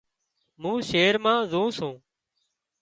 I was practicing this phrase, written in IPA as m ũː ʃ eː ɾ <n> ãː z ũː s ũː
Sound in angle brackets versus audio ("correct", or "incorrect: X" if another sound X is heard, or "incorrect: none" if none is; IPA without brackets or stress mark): incorrect: m